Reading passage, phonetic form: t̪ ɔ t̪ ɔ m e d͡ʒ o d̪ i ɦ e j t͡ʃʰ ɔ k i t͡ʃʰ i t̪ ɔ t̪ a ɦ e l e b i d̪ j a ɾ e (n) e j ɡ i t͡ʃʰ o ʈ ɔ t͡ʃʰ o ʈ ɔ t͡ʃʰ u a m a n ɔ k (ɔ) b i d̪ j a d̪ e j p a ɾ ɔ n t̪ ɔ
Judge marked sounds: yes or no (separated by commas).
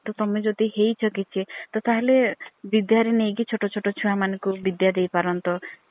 yes, no